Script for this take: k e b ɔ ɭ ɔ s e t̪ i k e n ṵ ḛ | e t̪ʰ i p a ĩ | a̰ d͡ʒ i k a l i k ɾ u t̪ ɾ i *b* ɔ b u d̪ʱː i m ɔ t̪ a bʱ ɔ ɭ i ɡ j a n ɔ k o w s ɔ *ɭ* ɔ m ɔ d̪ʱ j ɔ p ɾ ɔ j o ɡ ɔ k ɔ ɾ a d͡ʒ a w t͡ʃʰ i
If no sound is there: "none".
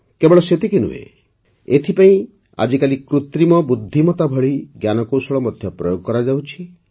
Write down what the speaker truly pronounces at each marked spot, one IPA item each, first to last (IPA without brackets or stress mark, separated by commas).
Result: m, ɭ